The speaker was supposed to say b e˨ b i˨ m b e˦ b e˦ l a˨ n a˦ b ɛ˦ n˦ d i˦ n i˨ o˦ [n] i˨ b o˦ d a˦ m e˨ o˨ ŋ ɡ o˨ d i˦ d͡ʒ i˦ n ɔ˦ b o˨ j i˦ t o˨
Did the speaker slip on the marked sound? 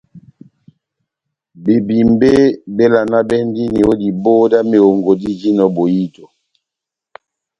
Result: yes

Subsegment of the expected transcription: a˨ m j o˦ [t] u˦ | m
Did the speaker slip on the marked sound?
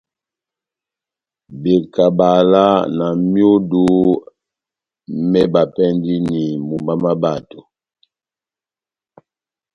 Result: yes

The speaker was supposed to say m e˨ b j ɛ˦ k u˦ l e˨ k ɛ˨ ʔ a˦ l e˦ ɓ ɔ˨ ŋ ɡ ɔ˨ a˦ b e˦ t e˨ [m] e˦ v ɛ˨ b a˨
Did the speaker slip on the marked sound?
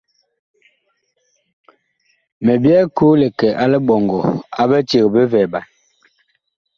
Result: yes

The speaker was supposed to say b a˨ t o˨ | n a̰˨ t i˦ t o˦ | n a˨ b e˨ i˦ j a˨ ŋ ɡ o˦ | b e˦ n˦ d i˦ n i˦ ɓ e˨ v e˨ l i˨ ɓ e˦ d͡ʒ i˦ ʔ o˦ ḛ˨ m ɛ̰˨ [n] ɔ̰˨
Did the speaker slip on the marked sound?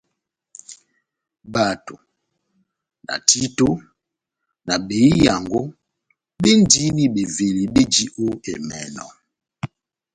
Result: no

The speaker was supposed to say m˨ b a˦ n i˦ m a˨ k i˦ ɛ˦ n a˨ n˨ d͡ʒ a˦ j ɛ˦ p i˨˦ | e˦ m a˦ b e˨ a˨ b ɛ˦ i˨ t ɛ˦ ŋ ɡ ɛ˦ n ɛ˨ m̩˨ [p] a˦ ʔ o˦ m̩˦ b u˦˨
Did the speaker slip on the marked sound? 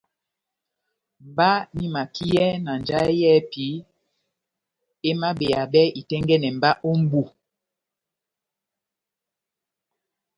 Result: yes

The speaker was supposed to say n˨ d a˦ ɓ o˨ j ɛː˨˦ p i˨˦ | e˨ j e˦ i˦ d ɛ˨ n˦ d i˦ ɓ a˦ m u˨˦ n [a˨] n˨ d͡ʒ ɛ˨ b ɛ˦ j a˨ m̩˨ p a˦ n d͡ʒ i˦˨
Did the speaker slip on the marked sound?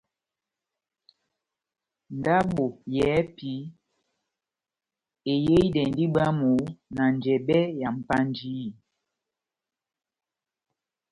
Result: no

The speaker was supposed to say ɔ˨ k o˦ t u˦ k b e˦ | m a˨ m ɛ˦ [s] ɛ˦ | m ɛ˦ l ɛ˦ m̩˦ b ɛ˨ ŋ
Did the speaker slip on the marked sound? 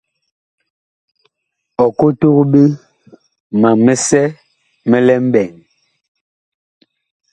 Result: no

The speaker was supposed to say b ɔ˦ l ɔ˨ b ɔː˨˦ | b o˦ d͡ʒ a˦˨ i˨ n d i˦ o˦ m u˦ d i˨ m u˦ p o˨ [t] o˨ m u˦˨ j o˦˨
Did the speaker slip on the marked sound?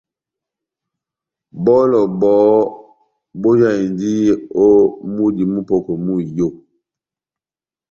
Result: yes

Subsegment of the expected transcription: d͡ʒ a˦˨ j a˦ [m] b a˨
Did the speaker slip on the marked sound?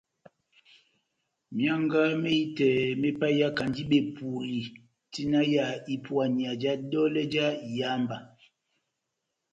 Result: no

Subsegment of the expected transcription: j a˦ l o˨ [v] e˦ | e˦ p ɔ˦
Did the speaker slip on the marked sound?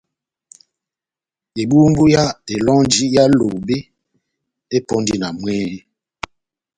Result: yes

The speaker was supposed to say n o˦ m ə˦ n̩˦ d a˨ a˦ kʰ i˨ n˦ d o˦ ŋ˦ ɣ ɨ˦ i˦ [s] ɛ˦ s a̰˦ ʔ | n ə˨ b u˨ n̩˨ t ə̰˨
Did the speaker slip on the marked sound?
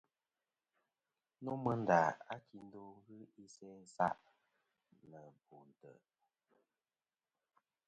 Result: no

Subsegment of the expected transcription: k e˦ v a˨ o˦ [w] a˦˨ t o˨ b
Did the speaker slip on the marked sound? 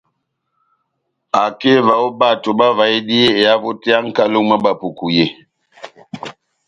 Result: yes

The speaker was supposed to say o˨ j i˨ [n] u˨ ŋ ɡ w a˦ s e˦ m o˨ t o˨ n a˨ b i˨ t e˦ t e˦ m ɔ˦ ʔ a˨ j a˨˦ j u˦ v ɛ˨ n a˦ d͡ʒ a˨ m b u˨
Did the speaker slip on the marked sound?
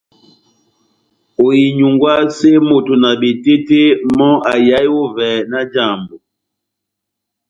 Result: yes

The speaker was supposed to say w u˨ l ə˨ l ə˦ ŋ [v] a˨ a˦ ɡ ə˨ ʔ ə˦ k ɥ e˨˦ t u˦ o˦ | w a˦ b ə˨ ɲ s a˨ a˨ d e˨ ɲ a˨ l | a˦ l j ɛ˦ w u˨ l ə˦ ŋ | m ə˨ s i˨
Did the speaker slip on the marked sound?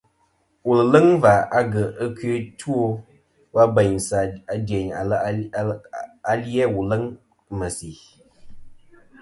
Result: no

